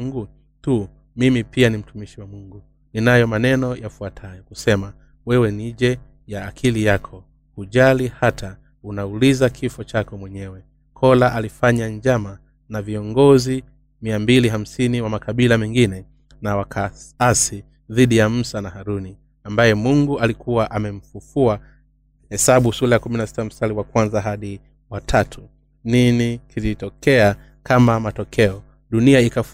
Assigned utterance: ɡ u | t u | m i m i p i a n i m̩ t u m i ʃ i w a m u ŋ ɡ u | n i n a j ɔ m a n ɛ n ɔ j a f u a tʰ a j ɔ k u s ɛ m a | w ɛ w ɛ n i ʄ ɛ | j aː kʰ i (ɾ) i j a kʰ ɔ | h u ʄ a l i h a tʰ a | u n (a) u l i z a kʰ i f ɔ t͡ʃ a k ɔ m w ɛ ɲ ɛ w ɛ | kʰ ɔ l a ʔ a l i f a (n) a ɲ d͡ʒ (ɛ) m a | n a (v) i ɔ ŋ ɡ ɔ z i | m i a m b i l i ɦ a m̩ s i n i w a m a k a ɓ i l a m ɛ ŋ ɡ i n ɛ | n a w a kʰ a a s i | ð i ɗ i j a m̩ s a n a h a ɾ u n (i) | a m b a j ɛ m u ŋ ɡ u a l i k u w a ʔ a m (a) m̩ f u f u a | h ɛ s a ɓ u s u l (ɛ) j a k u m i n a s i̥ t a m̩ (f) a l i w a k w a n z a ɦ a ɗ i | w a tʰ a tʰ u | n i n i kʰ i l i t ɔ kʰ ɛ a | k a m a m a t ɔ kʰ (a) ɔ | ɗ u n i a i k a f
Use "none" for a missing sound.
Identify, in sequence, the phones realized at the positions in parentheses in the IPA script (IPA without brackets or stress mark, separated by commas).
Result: l, a, ɲ, a, v, i, ɛ, a, s, ɛ